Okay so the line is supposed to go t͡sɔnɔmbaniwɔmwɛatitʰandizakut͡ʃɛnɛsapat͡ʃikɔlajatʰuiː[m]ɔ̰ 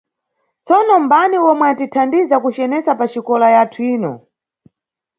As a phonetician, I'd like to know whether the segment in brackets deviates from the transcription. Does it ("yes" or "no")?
yes